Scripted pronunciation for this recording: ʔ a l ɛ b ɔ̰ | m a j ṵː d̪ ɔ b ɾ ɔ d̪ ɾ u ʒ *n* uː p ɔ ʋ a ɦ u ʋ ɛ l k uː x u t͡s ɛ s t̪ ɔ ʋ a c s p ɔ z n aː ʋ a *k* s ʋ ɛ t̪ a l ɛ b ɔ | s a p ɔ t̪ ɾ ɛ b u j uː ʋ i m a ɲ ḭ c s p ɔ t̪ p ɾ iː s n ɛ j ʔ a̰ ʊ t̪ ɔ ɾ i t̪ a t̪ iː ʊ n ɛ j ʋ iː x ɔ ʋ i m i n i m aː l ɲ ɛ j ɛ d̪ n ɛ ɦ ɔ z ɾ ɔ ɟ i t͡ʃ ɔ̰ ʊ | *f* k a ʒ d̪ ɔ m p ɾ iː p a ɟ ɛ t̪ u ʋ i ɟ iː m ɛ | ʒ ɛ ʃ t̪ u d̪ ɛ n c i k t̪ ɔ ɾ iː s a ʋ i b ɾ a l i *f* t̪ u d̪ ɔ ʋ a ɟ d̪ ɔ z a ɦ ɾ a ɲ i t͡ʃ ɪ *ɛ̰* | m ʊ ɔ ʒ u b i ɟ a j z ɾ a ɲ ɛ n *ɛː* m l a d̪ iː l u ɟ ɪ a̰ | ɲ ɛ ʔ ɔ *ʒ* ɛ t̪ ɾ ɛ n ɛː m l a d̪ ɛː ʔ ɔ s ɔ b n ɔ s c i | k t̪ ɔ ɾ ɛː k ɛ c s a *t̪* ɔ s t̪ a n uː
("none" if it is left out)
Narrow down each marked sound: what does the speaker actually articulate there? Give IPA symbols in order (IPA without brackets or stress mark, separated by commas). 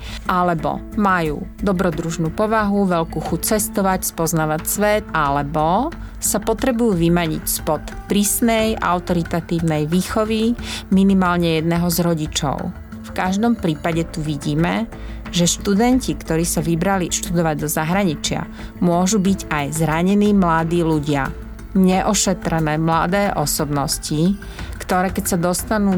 n, c, f, ʃ, a̰, iː, ʃ, d̪